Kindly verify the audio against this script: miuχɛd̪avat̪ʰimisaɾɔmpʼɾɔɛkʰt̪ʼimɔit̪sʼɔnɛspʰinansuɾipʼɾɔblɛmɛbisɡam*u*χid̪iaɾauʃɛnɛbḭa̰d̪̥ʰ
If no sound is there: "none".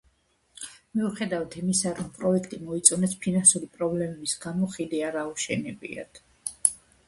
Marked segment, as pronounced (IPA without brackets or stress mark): ɔ